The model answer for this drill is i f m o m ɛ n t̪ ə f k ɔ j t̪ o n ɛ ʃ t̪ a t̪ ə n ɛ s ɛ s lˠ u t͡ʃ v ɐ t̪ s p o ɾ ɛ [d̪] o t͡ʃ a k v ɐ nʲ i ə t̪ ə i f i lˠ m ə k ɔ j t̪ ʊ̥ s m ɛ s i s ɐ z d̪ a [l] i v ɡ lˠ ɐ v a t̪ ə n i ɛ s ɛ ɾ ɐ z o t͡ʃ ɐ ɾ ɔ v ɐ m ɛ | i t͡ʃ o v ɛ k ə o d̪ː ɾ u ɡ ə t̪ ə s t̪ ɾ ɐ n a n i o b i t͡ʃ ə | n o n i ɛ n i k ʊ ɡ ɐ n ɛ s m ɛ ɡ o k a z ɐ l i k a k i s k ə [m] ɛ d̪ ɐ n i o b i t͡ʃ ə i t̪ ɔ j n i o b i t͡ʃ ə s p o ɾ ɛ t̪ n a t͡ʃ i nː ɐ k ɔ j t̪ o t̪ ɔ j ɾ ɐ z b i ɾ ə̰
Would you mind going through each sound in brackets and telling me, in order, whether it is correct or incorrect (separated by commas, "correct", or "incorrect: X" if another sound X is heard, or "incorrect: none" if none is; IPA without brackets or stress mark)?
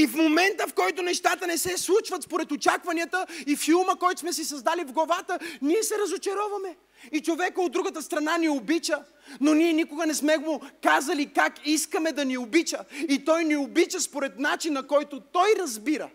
incorrect: t̪, correct, correct